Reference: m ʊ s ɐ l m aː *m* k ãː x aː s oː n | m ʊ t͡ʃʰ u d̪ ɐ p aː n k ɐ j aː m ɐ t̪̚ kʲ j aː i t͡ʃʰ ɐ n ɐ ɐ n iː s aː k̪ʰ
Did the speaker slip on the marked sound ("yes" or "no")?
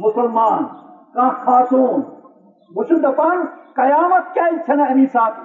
yes